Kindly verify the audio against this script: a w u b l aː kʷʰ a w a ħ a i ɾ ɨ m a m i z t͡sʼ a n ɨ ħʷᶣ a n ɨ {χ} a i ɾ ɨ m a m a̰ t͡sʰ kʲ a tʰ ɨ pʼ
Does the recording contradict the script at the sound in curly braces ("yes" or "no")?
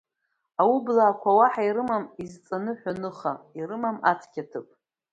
no